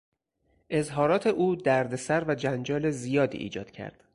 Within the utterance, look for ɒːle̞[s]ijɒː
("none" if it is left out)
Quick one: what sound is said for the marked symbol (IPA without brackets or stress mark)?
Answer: z